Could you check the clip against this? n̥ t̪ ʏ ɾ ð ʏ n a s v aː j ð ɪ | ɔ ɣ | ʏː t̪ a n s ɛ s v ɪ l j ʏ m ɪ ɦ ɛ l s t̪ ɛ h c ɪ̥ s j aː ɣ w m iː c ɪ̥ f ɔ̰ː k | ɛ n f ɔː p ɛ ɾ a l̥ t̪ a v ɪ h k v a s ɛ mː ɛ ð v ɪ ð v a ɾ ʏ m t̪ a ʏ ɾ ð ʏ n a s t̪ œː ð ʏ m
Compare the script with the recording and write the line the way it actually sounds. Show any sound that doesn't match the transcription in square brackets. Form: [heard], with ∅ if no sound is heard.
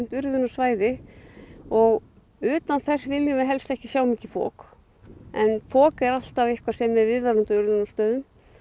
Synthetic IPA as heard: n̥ t̪ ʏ ɾ ð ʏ n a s v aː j ð ɪ | ɔ ɣ | ʏː t̪ a n [θ] ɛ s v ɪ l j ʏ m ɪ ɦ ɛ l s t̪ ɛ h c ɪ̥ s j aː [∅] w m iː c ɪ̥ f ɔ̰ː k | ɛ n f ɔː [k] ɛ ɾ a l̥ t̪ a v ɪ h k v a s ɛ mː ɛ ð v ɪ ð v a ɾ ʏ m t̪ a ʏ ɾ ð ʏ n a s t̪ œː ð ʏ m

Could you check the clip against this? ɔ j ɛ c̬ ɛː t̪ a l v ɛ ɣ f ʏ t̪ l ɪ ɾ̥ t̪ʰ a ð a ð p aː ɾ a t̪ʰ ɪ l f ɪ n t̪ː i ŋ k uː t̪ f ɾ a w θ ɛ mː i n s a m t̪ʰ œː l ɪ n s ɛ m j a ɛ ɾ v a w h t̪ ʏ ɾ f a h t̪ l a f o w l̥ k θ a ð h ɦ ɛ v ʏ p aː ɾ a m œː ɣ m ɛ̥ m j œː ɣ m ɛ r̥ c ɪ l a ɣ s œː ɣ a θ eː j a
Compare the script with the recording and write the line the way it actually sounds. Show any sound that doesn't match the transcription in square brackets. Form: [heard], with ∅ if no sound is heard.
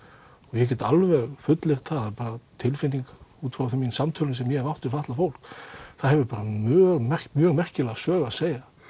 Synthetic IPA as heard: ɔ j ɛ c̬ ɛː t̪ a l v ɛ ɣ f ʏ t̪ l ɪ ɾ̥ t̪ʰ a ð a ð p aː ɾ a t̪ʰ ɪ l f ɪ n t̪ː i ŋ k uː t̪ f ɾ a w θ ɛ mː i n s a m t̪ʰ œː l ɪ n s ɛ m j [ɛ] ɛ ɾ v a w h t̪ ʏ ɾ f a h t̪ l a f o w l̥ k θ a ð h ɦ ɛ v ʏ p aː ɾ a m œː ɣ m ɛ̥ m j œː ɣ m ɛ r̥ c ɪ l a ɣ s œː ɣ a [s] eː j a

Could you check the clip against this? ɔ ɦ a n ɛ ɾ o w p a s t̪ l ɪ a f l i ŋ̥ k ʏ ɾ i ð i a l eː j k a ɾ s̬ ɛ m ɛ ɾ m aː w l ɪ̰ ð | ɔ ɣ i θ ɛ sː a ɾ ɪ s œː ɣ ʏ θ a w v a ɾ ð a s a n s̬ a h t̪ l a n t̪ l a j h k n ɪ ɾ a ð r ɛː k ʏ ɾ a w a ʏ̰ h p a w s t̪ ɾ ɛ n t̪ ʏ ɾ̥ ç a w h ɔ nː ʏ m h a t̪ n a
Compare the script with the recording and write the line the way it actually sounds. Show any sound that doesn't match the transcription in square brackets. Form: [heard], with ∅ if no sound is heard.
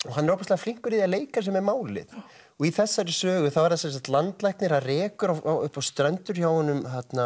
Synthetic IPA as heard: ɔ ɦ a n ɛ ɾ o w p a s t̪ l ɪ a f l i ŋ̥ k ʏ ɾ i ð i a l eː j k a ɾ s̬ ɛ m ɛ ɾ m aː w l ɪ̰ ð | ɔ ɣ i θ ɛ sː a ɾ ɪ s œː ɣ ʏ θ a w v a ɾ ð a s [ɛ] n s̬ a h t̪ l a n t̪ l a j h k n ɪ ɾ a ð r ɛː k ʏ ɾ a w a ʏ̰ h p a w s t̪ ɾ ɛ n t̪ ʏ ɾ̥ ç a w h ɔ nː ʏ m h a t̪ n a

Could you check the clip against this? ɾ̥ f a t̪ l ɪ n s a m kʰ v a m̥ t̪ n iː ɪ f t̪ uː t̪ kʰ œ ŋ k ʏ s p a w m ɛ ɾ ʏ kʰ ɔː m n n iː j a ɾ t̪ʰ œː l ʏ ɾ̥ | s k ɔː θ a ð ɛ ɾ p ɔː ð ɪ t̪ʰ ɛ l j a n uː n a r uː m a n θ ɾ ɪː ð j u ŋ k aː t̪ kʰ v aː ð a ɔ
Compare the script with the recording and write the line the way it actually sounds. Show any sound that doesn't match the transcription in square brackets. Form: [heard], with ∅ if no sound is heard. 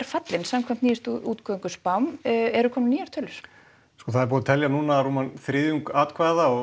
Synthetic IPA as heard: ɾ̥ f a t̪ l ɪ n s a m kʰ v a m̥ t̪ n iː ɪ [s] t̪ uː t̪ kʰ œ ŋ k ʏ s p a w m ɛ ɾ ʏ kʰ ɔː m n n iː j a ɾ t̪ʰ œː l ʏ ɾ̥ | s k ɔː θ a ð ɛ ɾ p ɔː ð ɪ t̪ʰ ɛ l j a n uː n a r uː m a n θ ɾ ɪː ð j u ŋ k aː t̪ kʰ v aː ð a ɔ

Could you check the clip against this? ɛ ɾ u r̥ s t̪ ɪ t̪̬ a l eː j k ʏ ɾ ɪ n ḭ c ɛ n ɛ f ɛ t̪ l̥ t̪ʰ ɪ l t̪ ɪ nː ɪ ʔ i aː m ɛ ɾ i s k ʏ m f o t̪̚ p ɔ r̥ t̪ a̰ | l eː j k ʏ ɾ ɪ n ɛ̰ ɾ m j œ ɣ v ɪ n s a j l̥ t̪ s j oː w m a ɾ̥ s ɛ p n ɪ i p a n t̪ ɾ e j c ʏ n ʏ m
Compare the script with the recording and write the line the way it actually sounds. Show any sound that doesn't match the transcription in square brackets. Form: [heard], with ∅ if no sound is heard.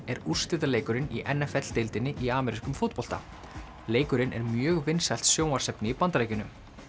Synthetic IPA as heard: ɛ ɾ u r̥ s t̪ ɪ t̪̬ a l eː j k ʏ ɾ ɪ n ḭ [ʔ] ɛ n ɛ f ɛ t̪ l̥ [t̪] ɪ l t̪ ɪ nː ɪ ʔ i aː m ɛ ɾ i s k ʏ m f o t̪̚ p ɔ [l̥] t̪ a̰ | l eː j k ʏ ɾ ɪ n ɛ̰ ɾ m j [œː] ɣ v ɪ n s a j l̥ t̪ s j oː w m a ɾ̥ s ɛ p n ɪ i p a n t̪ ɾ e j c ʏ n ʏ m

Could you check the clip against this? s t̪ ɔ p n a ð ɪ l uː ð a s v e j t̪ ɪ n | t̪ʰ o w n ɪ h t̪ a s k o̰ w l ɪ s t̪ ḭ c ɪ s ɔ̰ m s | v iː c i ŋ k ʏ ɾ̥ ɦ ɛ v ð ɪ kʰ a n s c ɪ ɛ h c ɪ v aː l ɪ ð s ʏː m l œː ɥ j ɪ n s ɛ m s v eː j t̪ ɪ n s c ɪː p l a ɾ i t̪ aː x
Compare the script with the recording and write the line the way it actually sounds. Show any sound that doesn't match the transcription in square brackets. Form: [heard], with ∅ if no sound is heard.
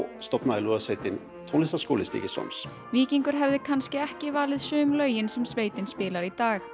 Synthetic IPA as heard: s t̪ ɔ p n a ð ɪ l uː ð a s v e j t̪ ɪ n | t̪ʰ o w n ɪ [s] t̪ a s k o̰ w l ɪ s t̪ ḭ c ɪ s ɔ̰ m s | v iː c i ŋ k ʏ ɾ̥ ɦ ɛ v ð ɪ kʰ a n s c ɪ ɛ h c ɪ v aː l ɪ ð s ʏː m l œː ɥ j ɪ n s ɛ m s v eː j t̪ ɪ n s [p] ɪː [∅] l a ɾ i t̪ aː x

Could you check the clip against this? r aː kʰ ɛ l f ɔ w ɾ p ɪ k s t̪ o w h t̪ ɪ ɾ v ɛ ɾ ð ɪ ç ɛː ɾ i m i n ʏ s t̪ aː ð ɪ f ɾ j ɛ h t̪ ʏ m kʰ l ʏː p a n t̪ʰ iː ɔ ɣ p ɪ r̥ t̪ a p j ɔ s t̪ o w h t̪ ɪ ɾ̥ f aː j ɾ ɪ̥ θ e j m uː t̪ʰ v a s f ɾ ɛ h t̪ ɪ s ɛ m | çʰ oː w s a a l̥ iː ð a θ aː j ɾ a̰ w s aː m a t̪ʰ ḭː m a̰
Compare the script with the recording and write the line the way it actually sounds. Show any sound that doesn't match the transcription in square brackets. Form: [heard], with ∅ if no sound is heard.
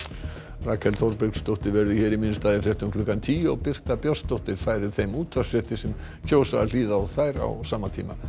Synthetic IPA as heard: r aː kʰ ɛ l [θ] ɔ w ɾ p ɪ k s t̪ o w h t̪ ɪ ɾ v ɛ ɾ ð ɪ ç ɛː ɾ i m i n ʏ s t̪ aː ð ɪ f ɾ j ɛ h t̪ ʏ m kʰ l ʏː [k] a n t̪ʰ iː ɔ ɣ p ɪ r̥ t̪ a p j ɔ s t̪ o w h t̪ ɪ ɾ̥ f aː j ɾ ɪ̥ θ e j m uː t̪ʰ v a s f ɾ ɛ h t̪ ɪ s ɛ m | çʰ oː w s a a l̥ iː ð a θ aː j ɾ a̰ w s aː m a t̪ʰ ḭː m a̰

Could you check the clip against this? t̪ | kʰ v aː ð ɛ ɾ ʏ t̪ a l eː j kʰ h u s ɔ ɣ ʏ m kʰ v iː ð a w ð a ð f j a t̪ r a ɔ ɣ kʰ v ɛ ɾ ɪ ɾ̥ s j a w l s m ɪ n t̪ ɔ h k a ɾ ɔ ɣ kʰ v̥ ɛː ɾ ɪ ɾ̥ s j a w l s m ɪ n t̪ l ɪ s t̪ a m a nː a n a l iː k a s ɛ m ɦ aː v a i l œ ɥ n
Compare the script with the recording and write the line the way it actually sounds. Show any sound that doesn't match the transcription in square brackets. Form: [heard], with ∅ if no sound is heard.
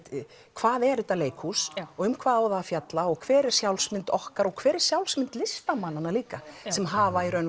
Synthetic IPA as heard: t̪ | kʰ v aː ð ɛ ɾ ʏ t̪ a l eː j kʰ h u s ɔ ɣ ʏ m kʰ v [aː] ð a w ð a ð f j a t̪ [l] a ɔ ɣ kʰ v [ɛː] ɾ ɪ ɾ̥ s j a w l s m ɪ n t̪ ɔ h k a ɾ ɔ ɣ kʰ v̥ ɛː ɾ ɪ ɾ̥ s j a w l s m ɪ n t̪ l ɪ s t̪ a m a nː a n a l iː k a s ɛ m ɦ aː v a i [ɾ] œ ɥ n

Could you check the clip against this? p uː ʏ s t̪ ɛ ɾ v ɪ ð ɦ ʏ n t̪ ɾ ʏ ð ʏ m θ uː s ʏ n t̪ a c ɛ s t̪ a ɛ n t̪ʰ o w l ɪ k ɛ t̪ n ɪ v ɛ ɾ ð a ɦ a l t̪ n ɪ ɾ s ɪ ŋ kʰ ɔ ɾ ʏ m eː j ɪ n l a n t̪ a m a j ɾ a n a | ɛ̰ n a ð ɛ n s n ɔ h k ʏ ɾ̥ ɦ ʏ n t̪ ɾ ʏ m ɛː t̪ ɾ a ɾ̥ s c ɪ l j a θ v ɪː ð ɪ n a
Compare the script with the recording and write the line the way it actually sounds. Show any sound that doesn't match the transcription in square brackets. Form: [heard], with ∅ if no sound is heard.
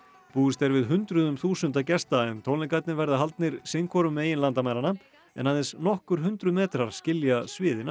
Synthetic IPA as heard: p uː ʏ s t̪ ɛ ɾ v ɪ ð ɦ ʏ n t̪ ɾ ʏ ð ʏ m θ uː s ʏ n t̪ a c ɛ s t̪ a ɛ n t̪ʰ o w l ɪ k [a] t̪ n ɪ v ɛ ɾ ð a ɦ a l t̪ n ɪ ɾ s ɪ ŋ kʰ ɔ ɾ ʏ m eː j ɪ n l a n t̪ a m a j ɾ a n a | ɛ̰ n a ð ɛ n s n ɔ h k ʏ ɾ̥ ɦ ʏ n t̪ ɾ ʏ m ɛː t̪ ɾ a ɾ̥ s c ɪ l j a [s] v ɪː ð ɪ n a

